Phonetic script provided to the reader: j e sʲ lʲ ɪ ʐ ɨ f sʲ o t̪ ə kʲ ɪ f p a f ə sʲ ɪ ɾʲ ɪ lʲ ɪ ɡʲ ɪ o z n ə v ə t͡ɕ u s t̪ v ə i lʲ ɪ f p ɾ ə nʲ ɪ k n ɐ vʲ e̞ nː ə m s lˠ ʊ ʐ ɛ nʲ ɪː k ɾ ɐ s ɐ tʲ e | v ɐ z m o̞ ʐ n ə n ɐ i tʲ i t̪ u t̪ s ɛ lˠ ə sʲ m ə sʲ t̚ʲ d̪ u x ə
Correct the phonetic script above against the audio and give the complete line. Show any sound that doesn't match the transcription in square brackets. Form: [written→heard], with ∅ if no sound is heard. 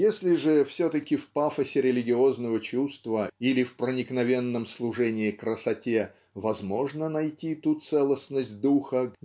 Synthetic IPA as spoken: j e sʲ lʲ ɪ ʐ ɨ f sʲ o t̪ ə kʲ ɪ f p a f ə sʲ ɪ ɾʲ ɪ lʲ ɪ ɡʲ ɪ o z n ə v ə t͡ɕ u s t̪ v ə i lʲ ɪ f p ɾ ə nʲ ɪ k n ɐ vʲ e̞ nː ə m s lˠ ʊ ʐ ɛ nʲ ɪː k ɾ [ɐ→ə] s ɐ tʲ e | v ɐ z m o̞ ʐ n ə n ɐ [i→j] tʲ i t̪ u t̪ s ɛ lˠ ə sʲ [m→n] ə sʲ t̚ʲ d̪ u x ə